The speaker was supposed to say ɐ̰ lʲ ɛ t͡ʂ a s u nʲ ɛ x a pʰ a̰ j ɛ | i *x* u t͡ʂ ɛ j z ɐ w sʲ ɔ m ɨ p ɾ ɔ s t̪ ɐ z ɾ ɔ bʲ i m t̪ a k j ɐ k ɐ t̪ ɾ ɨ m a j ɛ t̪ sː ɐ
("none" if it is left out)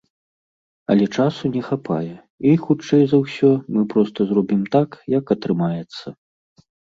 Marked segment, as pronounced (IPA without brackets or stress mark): x